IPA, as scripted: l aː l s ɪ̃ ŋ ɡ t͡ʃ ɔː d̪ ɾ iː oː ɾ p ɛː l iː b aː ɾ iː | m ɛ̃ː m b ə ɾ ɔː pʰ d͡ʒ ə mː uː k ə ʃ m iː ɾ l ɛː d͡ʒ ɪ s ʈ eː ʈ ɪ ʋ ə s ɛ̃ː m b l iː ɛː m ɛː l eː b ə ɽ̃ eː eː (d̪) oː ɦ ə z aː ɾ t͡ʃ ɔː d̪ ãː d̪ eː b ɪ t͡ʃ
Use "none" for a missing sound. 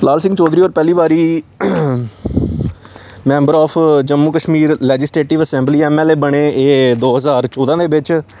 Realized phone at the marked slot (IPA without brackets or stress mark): d̪